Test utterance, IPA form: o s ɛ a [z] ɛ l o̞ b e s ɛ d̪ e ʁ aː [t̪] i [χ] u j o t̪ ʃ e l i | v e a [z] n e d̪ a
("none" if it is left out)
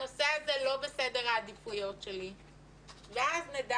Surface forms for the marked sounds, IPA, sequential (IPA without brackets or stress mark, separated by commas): z, d̪, f, z